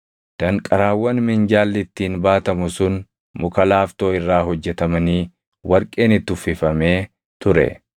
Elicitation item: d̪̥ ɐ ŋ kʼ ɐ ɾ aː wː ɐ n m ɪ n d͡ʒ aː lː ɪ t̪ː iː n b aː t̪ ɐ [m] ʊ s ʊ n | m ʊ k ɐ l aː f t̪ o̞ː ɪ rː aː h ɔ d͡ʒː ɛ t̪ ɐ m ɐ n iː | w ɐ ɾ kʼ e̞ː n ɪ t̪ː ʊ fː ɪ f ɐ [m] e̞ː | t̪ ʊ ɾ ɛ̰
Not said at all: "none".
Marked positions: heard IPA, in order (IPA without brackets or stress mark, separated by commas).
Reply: m, m